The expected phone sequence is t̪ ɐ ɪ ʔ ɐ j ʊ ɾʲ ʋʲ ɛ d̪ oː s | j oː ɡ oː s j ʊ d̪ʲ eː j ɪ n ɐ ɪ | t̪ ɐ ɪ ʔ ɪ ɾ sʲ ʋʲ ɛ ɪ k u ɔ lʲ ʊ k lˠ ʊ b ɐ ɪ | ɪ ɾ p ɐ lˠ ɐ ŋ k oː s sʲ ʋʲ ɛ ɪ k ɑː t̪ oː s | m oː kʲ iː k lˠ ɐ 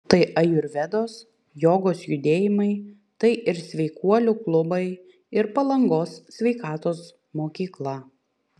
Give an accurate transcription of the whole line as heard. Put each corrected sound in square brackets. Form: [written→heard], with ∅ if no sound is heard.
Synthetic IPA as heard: t̪ ɐ ɪ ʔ ɐ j ʊ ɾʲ ʋʲ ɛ d̪ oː s | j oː ɡ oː s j ʊ d̪ʲ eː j ɪ [n→m] ɐ ɪ | t̪ ɐ ɪ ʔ ɪ ɾ sʲ ʋʲ ɛ ɪ k u ɔ lʲ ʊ k lˠ ʊ b ɐ ɪ | ɪ ɾ p ɐ lˠ ɐ ŋ [k→ɡ] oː s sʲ ʋʲ ɛ ɪ k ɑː t̪ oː s | m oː kʲ iː k lˠ ɐ